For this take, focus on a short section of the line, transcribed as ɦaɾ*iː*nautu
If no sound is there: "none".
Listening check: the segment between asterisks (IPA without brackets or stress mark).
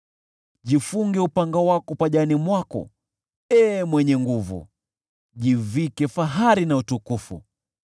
i